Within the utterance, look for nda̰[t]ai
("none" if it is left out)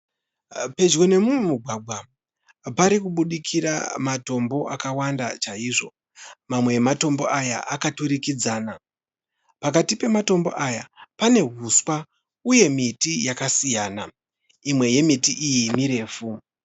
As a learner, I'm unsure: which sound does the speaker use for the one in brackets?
t͡ʃ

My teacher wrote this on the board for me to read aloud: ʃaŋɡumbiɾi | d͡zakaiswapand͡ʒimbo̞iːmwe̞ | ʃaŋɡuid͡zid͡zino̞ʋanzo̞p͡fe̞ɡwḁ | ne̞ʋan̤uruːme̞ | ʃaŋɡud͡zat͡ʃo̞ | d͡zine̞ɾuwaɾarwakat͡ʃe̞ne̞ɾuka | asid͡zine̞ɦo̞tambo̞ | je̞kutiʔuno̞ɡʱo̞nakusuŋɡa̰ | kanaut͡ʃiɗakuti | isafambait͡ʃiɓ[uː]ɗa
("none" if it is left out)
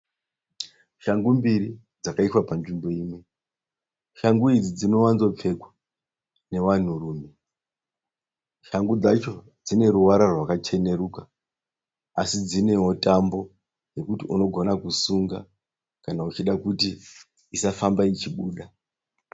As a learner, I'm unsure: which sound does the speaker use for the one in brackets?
uː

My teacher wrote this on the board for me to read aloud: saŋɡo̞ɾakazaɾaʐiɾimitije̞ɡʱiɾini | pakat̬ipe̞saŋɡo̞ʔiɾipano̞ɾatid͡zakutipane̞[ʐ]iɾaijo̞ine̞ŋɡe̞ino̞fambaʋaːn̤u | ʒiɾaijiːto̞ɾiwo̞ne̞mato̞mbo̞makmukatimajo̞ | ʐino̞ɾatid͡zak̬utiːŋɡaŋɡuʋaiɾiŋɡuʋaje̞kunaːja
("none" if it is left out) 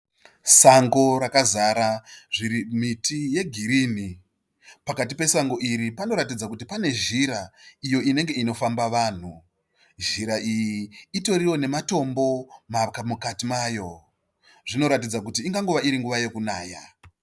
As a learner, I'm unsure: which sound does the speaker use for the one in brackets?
ʒ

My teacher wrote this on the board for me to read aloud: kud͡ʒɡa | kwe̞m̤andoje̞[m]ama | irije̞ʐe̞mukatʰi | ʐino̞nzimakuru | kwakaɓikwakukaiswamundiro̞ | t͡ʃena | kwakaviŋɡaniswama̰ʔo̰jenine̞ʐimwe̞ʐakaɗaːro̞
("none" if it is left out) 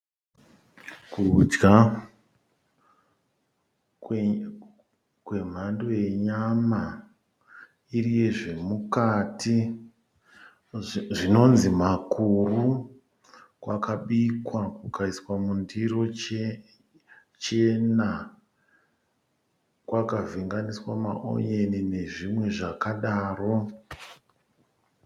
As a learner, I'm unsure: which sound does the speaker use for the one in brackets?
ɲ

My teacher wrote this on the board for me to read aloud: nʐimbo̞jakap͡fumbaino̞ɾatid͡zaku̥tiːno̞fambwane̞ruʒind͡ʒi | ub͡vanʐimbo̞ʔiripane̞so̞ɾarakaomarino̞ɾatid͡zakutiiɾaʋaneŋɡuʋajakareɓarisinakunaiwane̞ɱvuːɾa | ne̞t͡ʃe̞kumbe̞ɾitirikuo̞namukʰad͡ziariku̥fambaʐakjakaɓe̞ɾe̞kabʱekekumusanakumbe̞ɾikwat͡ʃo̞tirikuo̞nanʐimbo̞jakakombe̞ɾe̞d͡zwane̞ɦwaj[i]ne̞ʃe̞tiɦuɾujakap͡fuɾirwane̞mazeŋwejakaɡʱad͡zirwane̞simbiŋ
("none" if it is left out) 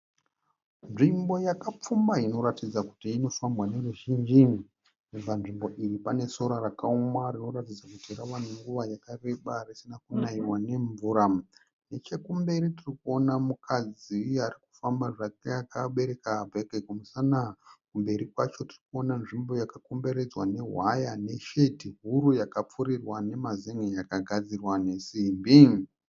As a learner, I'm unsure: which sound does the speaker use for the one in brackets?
a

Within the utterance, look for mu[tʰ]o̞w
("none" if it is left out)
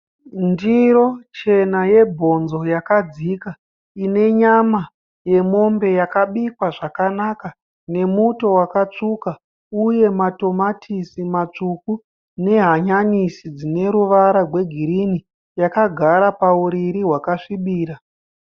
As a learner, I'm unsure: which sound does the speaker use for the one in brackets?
t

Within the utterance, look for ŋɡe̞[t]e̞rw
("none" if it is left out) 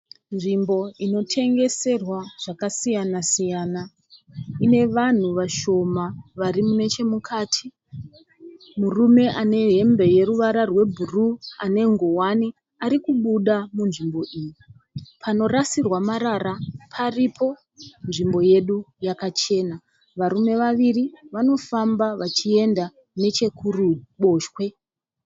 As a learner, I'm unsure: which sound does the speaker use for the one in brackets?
s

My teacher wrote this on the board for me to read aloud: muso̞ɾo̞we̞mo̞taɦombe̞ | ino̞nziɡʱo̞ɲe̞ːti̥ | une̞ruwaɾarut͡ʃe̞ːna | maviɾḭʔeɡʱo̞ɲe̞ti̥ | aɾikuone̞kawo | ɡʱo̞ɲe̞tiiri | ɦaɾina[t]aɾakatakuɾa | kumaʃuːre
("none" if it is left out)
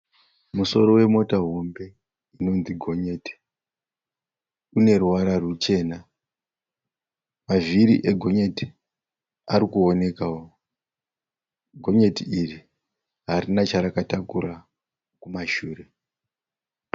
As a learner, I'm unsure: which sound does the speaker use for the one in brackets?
t͡ʃ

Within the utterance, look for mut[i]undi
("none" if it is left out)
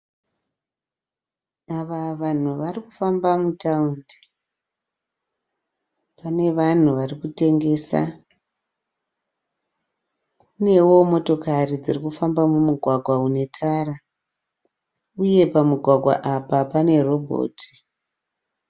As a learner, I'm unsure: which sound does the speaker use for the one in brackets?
a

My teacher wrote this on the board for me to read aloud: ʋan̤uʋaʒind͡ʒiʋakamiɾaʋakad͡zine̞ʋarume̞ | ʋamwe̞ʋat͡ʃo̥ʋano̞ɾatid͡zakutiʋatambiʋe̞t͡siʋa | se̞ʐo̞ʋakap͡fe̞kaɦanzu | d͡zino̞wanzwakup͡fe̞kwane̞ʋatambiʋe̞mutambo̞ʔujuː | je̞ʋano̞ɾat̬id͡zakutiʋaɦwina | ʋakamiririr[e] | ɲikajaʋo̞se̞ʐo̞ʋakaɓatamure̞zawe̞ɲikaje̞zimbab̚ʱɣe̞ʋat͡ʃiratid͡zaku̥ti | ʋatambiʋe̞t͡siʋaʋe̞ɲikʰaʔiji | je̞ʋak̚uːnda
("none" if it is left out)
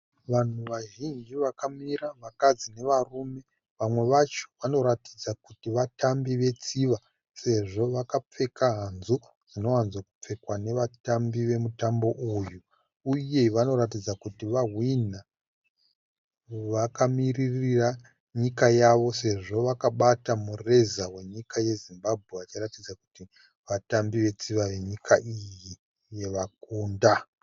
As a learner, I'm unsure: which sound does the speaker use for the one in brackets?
a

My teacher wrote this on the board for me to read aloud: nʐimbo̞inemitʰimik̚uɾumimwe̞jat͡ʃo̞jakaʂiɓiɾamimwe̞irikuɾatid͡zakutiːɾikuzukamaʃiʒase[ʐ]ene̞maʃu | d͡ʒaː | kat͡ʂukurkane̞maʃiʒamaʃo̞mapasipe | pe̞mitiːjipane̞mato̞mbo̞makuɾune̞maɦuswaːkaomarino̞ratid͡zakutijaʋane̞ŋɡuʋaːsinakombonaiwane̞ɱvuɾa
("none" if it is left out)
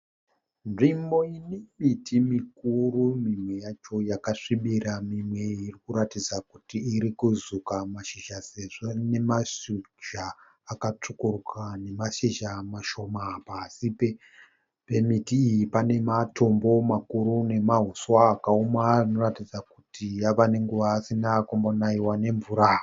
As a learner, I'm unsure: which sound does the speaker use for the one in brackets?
ʐ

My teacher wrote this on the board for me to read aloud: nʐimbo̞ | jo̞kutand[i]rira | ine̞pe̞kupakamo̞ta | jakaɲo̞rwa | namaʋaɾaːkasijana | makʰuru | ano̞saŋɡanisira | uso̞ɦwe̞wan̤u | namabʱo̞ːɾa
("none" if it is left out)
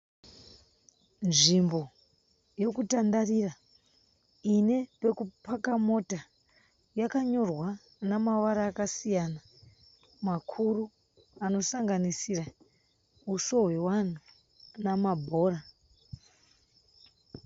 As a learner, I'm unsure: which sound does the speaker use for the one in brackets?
a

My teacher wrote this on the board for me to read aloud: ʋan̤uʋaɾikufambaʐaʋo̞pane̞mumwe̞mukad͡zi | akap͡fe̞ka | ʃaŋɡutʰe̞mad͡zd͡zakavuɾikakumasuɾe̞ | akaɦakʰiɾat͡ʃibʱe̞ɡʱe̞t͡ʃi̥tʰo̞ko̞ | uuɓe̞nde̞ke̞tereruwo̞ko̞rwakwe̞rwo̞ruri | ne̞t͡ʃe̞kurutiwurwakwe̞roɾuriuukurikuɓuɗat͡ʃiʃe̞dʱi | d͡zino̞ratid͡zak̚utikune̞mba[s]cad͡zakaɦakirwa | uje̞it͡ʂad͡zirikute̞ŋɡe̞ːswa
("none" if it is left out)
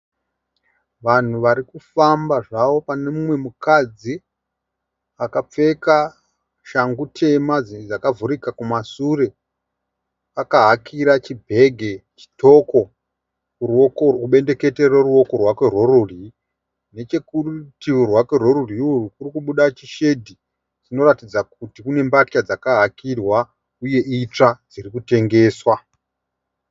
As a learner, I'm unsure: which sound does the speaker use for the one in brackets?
t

